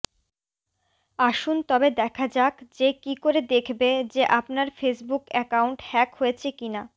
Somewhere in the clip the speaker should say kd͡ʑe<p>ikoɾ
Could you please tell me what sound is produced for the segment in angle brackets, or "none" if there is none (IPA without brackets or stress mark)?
k